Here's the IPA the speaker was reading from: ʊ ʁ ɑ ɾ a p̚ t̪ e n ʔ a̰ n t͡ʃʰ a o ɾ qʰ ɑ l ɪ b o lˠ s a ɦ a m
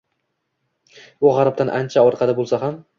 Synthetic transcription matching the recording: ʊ ʁ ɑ ɾ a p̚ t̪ a n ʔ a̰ n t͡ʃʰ a ɒ ɾ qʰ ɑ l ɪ b o lˠ s a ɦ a m